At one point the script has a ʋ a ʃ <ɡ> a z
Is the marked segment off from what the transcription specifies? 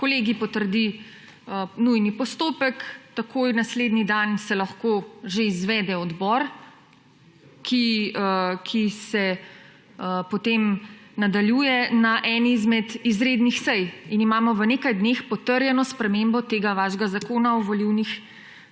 no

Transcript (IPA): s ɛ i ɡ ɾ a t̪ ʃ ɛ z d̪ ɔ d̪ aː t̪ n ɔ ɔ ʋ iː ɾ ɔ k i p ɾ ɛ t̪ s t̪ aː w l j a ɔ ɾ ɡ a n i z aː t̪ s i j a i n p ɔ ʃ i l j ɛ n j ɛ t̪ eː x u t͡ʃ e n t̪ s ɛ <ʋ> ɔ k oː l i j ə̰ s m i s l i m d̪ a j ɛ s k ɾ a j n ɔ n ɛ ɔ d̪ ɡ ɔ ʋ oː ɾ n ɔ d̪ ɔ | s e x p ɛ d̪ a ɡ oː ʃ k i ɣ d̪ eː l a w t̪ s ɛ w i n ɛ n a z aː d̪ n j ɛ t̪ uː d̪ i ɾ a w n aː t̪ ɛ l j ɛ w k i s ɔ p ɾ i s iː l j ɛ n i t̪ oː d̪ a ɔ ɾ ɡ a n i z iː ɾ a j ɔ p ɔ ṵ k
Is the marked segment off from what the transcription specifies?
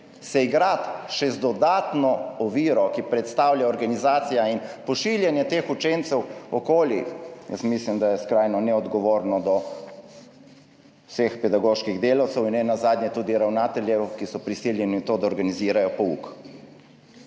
yes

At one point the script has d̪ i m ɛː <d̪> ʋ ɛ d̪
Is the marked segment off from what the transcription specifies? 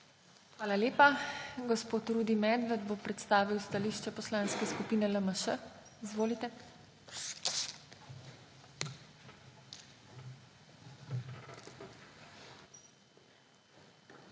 no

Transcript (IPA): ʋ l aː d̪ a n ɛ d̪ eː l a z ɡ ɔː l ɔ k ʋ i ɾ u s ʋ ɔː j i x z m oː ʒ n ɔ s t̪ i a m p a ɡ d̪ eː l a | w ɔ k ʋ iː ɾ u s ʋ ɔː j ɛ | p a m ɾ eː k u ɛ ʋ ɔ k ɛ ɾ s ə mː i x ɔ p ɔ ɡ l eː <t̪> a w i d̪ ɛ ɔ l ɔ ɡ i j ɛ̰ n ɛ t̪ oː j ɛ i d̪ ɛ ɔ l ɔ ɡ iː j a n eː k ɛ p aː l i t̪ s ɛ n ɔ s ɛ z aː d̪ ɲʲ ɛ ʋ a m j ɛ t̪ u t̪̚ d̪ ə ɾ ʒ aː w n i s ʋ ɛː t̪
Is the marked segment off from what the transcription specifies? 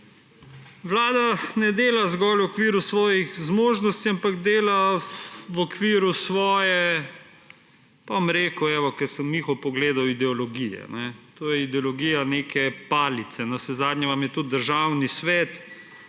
yes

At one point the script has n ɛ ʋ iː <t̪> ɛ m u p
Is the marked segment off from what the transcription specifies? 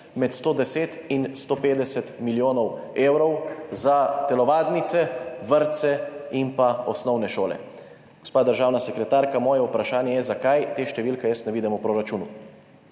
yes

